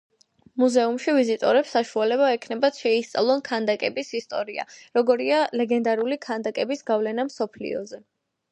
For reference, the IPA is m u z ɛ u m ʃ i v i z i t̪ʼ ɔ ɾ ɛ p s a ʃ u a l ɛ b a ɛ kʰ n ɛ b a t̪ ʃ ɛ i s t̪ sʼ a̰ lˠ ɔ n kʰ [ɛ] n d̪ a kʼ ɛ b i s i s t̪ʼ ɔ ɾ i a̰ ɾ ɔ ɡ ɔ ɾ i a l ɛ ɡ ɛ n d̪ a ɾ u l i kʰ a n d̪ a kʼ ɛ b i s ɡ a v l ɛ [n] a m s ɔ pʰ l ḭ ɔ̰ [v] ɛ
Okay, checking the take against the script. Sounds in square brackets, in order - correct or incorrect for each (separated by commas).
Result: incorrect, correct, incorrect